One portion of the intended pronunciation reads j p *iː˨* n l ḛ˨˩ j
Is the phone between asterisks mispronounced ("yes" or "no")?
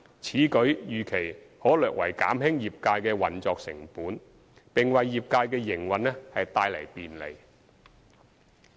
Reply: no